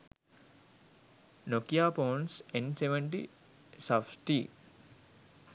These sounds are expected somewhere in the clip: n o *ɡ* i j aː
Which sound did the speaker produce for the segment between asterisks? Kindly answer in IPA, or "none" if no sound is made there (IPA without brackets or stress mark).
k